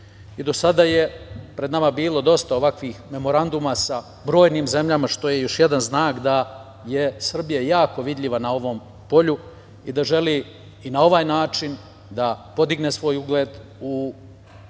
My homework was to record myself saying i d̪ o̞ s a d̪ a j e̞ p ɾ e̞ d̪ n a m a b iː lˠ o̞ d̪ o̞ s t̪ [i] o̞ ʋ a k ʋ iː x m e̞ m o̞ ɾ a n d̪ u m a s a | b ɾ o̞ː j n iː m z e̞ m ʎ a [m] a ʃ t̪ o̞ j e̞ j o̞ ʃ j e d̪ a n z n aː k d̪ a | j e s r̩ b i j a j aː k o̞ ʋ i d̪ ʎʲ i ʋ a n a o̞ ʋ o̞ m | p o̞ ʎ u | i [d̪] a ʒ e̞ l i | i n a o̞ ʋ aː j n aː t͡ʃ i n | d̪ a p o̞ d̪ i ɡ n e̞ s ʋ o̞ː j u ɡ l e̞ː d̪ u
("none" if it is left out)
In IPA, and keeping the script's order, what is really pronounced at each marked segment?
a, m, d̪

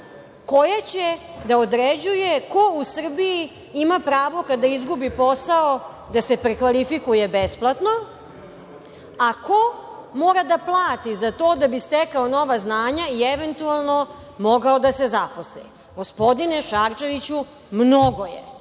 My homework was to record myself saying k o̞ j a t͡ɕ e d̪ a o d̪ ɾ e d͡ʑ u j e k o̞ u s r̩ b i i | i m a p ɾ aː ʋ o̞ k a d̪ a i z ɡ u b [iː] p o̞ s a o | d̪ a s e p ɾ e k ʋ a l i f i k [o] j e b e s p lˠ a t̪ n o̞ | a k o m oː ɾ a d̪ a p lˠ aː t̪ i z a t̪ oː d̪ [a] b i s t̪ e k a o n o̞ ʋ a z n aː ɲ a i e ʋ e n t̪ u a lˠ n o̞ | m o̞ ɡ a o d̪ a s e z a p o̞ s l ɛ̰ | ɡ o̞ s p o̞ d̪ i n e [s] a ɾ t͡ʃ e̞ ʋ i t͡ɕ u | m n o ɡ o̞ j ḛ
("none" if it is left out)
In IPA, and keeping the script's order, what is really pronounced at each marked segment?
i, u, a, ʃ

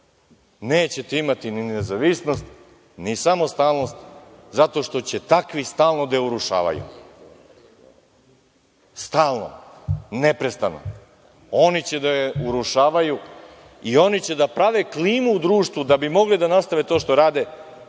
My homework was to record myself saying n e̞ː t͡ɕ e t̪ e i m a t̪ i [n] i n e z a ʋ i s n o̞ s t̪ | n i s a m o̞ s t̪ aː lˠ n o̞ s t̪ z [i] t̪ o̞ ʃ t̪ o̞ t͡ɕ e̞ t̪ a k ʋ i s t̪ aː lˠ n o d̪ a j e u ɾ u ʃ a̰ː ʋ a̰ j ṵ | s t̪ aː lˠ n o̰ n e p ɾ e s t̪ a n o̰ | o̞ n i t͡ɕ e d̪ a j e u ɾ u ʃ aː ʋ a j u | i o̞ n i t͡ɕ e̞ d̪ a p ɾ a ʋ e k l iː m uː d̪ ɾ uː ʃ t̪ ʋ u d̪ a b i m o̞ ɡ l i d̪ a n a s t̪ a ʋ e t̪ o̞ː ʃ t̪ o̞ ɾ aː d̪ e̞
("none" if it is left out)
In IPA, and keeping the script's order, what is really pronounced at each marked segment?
n, a

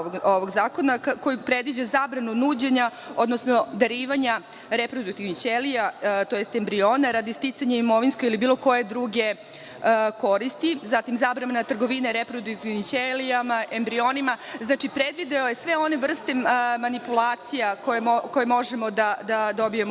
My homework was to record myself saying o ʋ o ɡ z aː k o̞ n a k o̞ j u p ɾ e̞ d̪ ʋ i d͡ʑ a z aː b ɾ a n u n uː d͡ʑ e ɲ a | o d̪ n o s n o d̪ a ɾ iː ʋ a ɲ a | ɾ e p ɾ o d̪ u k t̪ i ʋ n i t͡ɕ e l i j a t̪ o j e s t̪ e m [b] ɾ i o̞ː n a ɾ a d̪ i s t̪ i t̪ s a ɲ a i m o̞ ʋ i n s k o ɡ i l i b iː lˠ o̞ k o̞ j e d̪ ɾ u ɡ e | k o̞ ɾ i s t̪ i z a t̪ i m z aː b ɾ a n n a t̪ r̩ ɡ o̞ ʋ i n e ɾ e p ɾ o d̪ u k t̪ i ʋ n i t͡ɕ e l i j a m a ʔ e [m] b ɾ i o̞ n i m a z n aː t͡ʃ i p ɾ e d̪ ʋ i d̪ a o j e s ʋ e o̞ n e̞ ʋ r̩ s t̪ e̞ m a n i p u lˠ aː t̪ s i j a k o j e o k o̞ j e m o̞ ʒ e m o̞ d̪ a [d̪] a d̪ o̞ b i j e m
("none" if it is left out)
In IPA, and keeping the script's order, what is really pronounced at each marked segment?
b, m, d̪

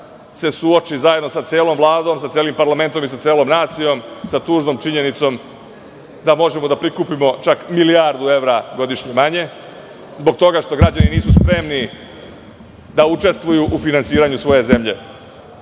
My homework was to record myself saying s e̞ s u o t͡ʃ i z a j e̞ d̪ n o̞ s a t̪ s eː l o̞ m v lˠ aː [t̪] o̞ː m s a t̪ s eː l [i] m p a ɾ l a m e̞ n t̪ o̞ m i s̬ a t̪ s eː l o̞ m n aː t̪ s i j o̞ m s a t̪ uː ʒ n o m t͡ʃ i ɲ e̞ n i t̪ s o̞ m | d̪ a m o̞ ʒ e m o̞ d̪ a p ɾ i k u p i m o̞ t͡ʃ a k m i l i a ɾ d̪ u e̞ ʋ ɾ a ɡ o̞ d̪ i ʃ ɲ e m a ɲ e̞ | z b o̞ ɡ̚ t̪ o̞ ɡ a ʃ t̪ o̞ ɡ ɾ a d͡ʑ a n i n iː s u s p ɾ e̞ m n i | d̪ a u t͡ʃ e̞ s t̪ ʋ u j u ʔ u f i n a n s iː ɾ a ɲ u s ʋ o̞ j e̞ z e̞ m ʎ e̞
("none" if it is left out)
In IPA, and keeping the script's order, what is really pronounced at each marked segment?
d̪, i

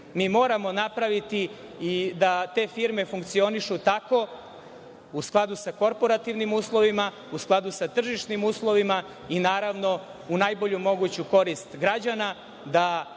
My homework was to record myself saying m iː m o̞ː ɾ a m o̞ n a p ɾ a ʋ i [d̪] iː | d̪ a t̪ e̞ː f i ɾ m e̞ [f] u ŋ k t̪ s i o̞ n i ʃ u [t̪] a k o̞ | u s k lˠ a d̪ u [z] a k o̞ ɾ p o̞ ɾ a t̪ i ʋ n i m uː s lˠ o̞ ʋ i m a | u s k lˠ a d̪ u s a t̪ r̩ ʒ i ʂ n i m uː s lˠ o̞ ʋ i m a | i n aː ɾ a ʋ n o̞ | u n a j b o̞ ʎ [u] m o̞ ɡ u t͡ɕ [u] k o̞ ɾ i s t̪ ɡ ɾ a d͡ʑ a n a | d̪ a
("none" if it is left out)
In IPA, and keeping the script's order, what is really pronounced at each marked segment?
t̪, f, t̪, s, u, u

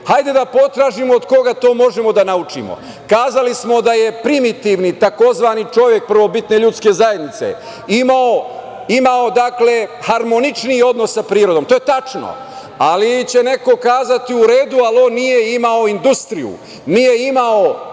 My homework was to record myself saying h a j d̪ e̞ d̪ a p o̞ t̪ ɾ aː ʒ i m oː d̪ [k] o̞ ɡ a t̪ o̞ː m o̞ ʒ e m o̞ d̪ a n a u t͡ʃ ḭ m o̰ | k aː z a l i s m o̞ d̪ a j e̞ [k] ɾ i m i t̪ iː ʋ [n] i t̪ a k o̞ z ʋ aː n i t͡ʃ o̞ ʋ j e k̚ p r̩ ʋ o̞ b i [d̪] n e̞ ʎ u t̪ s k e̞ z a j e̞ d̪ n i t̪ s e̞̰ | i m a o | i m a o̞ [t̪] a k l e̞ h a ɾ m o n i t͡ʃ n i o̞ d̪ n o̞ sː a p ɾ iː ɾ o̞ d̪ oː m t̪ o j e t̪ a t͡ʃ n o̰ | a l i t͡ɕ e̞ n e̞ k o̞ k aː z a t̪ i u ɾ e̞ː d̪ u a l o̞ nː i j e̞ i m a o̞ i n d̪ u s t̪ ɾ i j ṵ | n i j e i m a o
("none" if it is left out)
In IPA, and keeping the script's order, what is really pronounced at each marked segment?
k, p, n, t̪, d̪

